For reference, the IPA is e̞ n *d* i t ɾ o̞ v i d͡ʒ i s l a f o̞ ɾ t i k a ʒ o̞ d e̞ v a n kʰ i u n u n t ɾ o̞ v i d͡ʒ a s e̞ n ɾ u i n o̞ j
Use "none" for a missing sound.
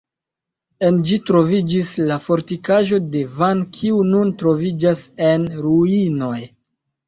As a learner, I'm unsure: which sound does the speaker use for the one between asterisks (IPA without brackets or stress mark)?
d͡ʒ